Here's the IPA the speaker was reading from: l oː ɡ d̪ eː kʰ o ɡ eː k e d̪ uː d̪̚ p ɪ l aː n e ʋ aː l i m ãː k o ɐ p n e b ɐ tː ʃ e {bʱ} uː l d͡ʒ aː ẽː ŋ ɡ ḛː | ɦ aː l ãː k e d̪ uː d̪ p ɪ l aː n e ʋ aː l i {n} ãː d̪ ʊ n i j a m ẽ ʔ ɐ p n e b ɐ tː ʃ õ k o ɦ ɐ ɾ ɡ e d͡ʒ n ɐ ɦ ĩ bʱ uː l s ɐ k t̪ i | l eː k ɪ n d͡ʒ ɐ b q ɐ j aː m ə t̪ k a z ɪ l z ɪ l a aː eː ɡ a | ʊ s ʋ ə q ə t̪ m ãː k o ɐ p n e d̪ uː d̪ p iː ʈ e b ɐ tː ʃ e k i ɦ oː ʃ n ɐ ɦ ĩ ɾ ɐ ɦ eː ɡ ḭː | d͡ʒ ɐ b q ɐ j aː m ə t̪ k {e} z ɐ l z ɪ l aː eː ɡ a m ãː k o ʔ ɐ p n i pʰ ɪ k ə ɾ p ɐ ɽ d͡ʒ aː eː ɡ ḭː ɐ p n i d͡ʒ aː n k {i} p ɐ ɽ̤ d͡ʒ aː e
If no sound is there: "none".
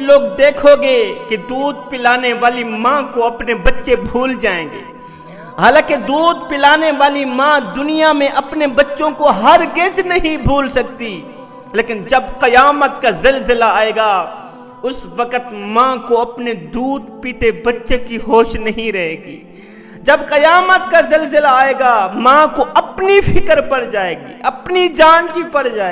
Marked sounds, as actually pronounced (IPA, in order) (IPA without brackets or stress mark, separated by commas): bʱ, m, a, i